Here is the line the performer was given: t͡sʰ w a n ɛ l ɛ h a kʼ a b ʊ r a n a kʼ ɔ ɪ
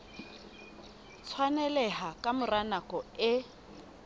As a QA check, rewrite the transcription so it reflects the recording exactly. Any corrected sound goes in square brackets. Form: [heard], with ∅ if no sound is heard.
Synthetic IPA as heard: t͡sʰ w a n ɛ l ɛ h a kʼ a [m] ʊ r a n a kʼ ɔ ɪ